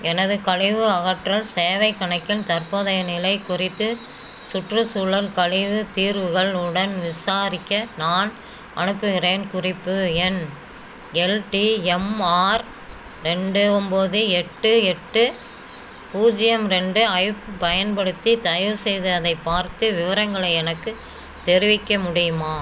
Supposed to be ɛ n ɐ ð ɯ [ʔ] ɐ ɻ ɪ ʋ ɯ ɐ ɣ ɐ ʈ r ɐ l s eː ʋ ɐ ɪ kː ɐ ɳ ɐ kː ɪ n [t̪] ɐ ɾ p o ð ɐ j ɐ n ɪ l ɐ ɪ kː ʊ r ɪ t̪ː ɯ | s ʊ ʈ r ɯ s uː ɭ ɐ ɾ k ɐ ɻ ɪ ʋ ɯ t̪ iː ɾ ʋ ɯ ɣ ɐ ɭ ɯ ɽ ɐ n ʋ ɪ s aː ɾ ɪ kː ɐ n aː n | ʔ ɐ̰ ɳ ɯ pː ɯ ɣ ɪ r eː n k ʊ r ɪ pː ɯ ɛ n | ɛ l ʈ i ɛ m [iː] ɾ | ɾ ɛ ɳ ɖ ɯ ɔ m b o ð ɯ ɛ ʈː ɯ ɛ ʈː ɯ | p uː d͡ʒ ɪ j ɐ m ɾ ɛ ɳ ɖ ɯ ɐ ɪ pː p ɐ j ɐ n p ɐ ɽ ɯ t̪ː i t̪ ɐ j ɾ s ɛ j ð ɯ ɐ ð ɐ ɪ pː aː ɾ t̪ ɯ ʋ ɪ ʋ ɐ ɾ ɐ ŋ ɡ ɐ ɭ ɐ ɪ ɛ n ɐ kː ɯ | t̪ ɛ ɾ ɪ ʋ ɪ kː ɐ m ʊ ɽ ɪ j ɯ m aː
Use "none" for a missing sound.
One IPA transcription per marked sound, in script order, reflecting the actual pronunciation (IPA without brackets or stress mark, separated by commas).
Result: k, t̪, aː